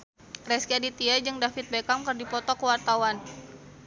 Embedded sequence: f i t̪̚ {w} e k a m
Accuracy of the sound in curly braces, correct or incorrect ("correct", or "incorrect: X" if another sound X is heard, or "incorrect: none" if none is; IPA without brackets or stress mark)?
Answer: incorrect: b